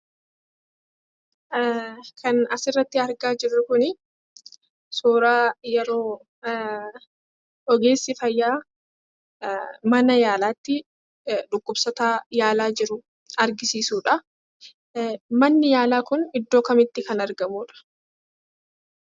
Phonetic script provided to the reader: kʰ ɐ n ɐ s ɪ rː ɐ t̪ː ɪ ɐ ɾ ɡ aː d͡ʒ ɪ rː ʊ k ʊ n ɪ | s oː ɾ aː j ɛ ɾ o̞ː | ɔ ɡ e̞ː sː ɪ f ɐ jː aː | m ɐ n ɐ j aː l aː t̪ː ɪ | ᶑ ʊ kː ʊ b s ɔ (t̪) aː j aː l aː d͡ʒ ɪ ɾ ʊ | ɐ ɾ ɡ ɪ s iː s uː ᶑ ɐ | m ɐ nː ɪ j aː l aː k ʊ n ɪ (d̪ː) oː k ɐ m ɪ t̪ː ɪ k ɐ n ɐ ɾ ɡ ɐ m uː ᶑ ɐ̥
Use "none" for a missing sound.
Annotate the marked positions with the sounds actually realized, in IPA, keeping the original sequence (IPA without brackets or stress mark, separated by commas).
t̪, d̪ː